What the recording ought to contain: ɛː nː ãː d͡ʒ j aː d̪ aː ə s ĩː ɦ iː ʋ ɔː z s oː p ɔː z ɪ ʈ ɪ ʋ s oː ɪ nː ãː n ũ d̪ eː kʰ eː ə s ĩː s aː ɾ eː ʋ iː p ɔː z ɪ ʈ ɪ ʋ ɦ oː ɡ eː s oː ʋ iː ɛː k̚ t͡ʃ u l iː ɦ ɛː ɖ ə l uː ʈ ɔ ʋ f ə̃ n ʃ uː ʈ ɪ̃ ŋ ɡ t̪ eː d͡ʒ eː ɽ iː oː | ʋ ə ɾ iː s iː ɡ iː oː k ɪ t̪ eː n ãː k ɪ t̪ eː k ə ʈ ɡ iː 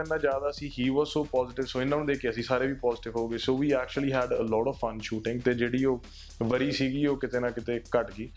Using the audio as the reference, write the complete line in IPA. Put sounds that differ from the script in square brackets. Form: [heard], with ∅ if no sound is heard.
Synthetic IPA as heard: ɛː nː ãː d͡ʒ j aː d̪ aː ə s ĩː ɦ iː ʋ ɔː z s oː p ɔː z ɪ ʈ ɪ ʋ s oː ɪ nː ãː n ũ d̪ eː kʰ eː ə s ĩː s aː ɾ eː ʋ iː p ɔː z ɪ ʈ ɪ ʋ ɦ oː ɡ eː s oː ʋ iː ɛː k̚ t͡ʃ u l iː ɦ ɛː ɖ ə l [ɔː] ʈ ɔ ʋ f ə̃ n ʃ uː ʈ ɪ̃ ŋ ɡ t̪ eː d͡ʒ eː ɽ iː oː | ʋ ə ɾ iː s iː ɡ iː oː k ɪ t̪ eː n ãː k ɪ t̪ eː k ə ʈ ɡ iː